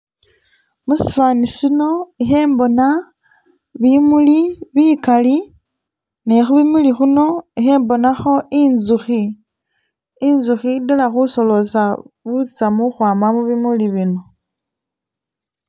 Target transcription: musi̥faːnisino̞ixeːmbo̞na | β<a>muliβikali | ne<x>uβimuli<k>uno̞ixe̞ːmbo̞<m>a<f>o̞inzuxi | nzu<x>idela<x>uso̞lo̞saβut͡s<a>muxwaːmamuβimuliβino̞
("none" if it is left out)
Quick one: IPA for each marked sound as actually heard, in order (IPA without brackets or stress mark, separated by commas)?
i, x, x, n, x, x, x, a